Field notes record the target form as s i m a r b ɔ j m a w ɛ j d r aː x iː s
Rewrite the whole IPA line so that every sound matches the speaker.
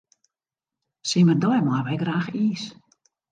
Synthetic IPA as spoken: s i m ə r d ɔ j m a ʋ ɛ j ɡ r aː x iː s